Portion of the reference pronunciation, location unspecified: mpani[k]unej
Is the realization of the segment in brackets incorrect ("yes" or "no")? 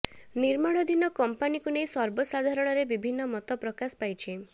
no